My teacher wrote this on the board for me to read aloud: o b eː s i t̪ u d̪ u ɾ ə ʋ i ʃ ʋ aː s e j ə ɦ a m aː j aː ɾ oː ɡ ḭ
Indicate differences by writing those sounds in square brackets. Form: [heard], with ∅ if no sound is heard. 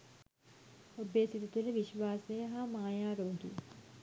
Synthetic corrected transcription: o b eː s i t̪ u [t̪] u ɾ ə ʋ i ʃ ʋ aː s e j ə ɦ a m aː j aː ɾ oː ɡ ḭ